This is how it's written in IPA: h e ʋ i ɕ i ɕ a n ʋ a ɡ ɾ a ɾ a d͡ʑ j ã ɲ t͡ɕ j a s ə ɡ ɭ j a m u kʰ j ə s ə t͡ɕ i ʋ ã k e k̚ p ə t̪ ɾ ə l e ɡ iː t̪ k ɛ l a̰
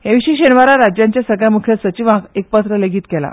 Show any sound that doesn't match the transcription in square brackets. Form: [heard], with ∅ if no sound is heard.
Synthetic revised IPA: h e ʋ i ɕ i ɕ [e] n ʋ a [∅] ɾ a ɾ a d͡ʑ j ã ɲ t͡ɕ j a s ə ɡ ɭ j a m u kʰ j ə s ə t͡ɕ i ʋ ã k e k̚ p ə t̪ ɾ ə l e ɡ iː t̪ k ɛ l a̰